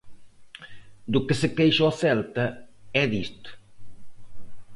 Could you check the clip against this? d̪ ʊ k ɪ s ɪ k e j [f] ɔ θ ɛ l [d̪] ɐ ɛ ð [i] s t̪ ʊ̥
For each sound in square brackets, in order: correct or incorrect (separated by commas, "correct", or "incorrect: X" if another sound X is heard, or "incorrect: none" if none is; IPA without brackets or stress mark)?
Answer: incorrect: ʃ, incorrect: t̪, correct